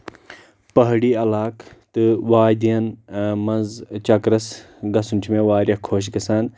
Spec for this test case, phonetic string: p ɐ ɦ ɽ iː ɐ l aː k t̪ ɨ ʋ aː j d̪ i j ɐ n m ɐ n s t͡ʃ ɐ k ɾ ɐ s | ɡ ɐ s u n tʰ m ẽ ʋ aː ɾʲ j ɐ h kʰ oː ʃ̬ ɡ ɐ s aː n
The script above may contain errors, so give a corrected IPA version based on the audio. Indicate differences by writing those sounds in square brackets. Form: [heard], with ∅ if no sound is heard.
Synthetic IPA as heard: p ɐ ɦ ɽ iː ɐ l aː k t̪ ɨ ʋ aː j d̪ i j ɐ n m ɐ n [z] t͡ʃ ɐ k ɾ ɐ s | ɡ ɐ s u n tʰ m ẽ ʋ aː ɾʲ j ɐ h kʰ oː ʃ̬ ɡ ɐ s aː n

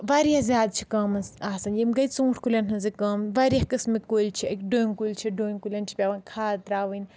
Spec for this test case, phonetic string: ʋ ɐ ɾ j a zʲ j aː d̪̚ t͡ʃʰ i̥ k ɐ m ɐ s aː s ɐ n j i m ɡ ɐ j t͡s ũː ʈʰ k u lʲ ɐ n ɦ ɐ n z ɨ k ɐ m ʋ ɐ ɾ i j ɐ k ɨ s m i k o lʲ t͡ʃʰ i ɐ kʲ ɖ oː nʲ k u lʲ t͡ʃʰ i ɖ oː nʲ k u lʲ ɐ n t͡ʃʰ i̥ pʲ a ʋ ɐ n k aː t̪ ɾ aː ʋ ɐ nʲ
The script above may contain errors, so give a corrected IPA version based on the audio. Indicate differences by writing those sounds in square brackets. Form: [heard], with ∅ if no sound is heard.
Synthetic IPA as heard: ʋ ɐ ɾ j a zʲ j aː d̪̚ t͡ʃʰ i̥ k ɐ m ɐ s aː s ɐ n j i m ɡ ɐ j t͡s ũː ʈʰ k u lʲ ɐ n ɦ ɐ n z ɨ k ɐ m ʋ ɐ ɾ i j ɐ k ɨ s m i k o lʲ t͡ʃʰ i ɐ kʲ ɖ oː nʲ k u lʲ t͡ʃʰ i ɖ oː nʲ k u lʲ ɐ n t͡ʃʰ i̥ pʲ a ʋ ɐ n [kʰ] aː t̪ ɾ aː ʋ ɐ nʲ

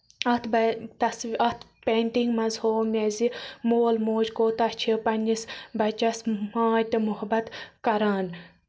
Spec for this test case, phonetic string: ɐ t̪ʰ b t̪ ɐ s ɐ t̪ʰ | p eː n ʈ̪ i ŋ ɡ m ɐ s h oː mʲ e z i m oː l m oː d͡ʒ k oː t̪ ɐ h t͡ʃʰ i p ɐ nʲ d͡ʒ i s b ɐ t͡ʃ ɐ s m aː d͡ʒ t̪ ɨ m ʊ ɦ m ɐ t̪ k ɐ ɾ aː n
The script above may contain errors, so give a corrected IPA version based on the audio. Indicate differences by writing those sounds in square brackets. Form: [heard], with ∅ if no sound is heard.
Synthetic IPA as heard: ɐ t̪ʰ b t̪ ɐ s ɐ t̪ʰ | p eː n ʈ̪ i ŋ ɡ m ɐ [z] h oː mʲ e z i m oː l m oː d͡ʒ k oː t̪ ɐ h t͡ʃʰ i p ɐ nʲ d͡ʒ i s b ɐ t͡ʃ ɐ s m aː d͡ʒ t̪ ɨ m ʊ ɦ [b] ɐ t̪ k ɐ ɾ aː n

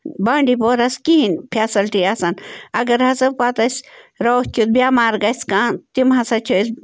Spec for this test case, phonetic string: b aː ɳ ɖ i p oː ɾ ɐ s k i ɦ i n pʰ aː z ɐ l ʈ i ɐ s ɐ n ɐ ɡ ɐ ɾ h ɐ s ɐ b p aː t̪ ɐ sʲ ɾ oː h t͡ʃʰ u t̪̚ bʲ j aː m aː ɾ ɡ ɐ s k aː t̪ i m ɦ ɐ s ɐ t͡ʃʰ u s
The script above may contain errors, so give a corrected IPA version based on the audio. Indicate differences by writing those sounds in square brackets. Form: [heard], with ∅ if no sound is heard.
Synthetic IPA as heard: b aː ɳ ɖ i p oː ɾ ɐ s k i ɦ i n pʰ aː [s] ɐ l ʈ i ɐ s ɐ n ɐ ɡ ɐ ɾ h ɐ s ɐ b p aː t̪ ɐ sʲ ɾ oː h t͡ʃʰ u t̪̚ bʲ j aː m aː ɾ ɡ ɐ s k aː t̪ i m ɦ ɐ s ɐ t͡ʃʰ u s

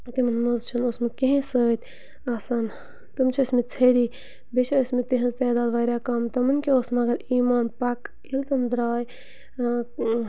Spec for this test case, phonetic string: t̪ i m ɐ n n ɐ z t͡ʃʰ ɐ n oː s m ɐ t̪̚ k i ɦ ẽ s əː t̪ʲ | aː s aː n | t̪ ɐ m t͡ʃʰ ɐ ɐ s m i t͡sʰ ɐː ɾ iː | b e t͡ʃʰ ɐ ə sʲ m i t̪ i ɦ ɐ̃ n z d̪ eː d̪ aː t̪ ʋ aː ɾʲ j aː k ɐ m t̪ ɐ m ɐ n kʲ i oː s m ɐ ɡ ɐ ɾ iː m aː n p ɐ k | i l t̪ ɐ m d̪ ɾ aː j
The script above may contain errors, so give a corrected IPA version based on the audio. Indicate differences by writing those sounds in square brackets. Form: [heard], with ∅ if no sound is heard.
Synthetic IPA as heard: t̪ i m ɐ n [m] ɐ z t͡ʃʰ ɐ n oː s m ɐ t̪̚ k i ɦ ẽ s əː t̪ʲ | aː s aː n | t̪ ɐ m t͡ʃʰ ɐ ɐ s m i t͡sʰ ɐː ɾ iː | b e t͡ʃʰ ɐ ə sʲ m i t̪ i ɦ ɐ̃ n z [t̪] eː d̪ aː [d̪] ʋ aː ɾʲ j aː k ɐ m t̪ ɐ m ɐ n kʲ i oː s m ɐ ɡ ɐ ɾ iː m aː n p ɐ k | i l t̪ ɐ m d̪ ɾ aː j

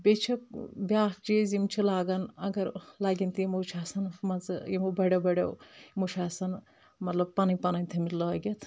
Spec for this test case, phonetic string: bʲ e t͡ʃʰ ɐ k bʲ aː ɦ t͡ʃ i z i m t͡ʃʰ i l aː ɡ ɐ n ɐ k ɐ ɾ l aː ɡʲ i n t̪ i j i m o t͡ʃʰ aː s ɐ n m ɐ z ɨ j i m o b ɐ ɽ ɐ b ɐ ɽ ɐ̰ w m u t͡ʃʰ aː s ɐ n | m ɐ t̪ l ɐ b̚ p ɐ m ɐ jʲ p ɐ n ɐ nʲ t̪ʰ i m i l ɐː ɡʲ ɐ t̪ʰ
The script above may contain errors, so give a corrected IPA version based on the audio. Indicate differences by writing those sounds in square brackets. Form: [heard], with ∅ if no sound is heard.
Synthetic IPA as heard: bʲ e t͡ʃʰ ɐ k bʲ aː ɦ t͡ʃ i z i m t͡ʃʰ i l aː ɡ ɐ n ɐ [ɡ] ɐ ɾ l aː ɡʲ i n t̪ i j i m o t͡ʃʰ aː s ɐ n m ɐ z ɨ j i m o b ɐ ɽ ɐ b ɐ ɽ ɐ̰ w m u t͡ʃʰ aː s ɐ n | m ɐ t̪ l ɐ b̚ p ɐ [n] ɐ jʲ p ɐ n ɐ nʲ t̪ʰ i m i l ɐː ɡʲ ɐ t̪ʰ

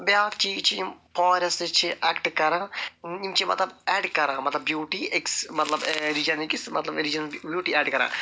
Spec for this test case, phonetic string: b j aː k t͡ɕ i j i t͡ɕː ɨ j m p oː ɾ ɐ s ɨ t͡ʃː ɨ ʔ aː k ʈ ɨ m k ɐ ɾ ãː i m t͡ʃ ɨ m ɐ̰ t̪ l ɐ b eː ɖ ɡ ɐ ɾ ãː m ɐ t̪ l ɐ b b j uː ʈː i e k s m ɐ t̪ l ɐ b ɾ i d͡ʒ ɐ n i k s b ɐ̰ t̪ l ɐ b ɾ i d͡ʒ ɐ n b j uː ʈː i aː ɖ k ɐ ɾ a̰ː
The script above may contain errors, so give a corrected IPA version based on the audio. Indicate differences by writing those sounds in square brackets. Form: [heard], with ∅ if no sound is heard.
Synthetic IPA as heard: b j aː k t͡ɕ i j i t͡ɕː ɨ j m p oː ɾ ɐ s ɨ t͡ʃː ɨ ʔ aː k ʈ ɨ [∅] k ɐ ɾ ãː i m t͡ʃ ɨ m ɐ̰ t̪ l ɐ b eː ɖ [k] ɐ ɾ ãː m ɐ t̪ l ɐ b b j uː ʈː i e k s m ɐ t̪ l ɐ b ɾ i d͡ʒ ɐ n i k s [m] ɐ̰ t̪ l ɐ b ɾ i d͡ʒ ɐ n b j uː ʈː i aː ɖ k ɐ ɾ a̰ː

